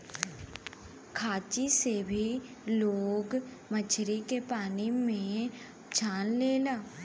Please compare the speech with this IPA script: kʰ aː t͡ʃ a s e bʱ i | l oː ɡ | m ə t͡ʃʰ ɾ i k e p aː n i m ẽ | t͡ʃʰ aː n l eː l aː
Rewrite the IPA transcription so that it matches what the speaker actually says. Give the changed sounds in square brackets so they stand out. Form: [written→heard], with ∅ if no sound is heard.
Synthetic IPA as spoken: kʰ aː t͡ʃ [a→i] s e bʱ i | l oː ɡ | m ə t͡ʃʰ ɾ i k e p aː n i m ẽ | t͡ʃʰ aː n l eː l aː